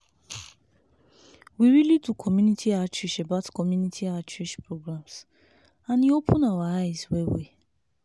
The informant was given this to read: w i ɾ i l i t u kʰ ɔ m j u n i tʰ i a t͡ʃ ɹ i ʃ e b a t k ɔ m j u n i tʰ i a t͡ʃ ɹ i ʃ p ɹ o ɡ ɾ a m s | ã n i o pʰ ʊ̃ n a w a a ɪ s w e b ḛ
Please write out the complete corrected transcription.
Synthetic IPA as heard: w i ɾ i l i t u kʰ ɔ m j u n i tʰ i a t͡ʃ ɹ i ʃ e b a t k ɔ m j u n i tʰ i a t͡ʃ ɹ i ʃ p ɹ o ɡ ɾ a m s | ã n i o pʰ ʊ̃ n a w a a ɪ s w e w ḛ